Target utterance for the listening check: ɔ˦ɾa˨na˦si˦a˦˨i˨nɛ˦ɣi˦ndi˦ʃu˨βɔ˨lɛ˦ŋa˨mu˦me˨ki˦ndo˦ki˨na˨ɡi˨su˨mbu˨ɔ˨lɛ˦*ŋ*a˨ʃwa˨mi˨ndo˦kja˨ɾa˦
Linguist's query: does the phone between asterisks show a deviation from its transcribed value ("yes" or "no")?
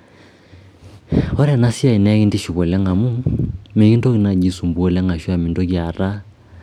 no